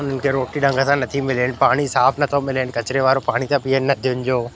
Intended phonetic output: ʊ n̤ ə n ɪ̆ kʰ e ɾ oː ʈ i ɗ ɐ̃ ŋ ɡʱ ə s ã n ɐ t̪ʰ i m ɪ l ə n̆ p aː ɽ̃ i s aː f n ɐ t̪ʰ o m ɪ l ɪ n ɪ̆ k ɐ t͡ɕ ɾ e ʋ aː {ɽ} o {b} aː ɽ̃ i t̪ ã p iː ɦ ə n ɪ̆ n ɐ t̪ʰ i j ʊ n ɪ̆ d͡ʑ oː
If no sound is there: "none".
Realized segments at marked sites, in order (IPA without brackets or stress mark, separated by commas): ɾ, p